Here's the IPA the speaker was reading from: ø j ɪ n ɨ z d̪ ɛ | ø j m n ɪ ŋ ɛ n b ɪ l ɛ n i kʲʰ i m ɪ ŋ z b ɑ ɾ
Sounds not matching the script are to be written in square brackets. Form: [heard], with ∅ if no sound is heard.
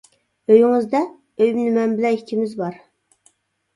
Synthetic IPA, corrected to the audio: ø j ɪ [ŋ] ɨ z d̪ ɛ | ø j m n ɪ [m] ɛ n b ɪ l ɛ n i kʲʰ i m ɪ [∅] z b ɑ ɾ

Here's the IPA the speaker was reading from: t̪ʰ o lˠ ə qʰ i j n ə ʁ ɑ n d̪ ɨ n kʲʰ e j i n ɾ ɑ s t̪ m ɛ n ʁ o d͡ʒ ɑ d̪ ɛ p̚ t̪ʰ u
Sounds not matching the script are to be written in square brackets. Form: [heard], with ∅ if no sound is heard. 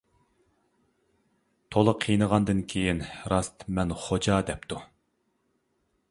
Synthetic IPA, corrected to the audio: t̪ʰ o lˠ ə qʰ i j n ə ʁ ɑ n d̪ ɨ n kʲʰ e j i n ɾ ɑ s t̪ m ɛ n [χ] o d͡ʒ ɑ d̪ ɛ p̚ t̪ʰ u

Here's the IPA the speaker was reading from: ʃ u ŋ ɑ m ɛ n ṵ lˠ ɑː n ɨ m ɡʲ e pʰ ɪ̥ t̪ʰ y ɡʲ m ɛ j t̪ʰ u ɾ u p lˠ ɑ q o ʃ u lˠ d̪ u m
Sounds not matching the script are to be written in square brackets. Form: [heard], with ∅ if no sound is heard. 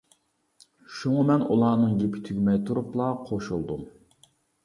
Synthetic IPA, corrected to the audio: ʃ u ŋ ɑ m ɛ n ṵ lˠ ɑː n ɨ [ŋ] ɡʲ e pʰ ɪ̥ t̪ʰ y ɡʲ m ɛ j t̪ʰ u ɾ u p lˠ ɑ [qʰ] o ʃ u lˠ d̪ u m

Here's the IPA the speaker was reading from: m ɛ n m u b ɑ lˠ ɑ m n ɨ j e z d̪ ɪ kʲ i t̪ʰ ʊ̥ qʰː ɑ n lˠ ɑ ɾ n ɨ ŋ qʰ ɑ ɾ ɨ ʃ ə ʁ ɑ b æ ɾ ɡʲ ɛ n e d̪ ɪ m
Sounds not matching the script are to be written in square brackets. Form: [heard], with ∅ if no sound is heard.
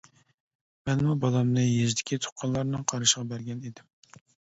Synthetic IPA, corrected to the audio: m ɛ n m u b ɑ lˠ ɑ m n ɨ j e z d̪ ɪ kʲ i t̪ʰ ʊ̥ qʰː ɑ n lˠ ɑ ɾ n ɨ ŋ qʰ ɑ ɾ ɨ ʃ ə ʁ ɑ b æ ɾ ɡʲ ɛ n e d̪ ɪ m

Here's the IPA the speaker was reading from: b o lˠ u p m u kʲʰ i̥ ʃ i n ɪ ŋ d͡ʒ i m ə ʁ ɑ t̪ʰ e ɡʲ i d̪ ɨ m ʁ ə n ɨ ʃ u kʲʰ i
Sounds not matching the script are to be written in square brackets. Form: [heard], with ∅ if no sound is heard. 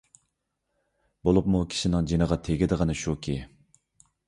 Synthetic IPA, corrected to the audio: b o lˠ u p m u kʲʰ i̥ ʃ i n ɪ ŋ d͡ʒ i [n] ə ʁ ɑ t̪ʰ e ɡʲ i d̪ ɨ [∅] ʁ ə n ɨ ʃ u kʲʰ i

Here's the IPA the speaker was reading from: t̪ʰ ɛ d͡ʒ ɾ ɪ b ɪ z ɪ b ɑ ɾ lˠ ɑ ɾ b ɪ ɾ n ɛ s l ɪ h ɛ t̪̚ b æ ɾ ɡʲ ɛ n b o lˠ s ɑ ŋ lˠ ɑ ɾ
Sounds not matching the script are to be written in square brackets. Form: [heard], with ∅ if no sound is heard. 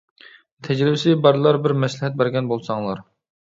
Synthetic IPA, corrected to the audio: t̪ʰ ɛ d͡ʒ ɾ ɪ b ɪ [s] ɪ b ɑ ɾ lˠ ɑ ɾ b ɪ ɾ [m] ɛ s l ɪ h ɛ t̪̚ b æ ɾ ɡʲ ɛ n b o lˠ s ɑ ŋ lˠ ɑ ɾ

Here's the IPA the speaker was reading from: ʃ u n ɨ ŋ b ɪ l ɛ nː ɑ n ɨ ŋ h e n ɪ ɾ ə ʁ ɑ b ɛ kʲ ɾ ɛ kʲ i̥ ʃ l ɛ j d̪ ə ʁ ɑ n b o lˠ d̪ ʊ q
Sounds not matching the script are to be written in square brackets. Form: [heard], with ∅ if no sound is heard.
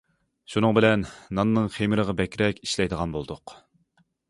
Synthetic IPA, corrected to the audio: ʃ u n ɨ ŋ b ɪ l ɛ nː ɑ [nː] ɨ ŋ [χ] e [m] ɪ ɾ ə ʁ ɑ b ɛ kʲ ɾ ɛ kʲ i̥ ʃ l ɛ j d̪ ə ʁ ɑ n b o lˠ d̪ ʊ q

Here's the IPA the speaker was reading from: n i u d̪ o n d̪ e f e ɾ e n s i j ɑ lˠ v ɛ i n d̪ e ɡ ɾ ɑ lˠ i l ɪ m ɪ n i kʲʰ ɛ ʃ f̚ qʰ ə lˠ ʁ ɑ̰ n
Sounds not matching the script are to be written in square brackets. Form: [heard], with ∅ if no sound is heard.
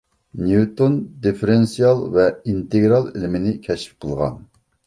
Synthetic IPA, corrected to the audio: n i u [t̪] o n d̪ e f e ɾ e n s i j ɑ lˠ v ɛ i n [t̪] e ɡ ɾ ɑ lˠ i l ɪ m ɪ n [ɪ] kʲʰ ɛ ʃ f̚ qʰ ə lˠ ʁ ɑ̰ n

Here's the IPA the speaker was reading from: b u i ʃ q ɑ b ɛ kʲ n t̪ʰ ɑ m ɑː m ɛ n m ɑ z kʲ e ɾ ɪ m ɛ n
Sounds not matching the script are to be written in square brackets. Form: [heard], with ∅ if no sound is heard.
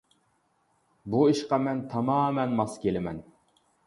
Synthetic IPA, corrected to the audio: b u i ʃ q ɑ [m] ɛ [∅] n t̪ʰ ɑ m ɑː m ɛ n m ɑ [s] kʲ e [l] ɪ m ɛ n

